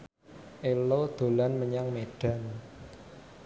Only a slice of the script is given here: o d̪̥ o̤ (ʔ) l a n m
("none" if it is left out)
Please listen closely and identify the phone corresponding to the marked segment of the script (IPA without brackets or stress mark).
none